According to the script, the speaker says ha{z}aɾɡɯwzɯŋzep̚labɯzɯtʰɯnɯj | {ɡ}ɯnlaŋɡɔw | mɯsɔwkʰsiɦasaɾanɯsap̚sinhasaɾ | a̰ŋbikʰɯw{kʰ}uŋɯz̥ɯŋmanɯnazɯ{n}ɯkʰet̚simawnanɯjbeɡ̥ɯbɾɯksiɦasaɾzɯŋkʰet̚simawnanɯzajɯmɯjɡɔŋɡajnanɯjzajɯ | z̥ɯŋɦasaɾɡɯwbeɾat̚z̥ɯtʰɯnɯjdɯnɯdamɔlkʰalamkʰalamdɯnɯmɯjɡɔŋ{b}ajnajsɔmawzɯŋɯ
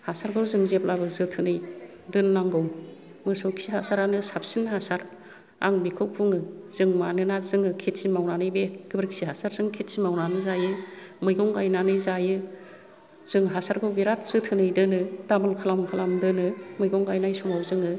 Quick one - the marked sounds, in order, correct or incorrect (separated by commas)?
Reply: incorrect, incorrect, incorrect, incorrect, incorrect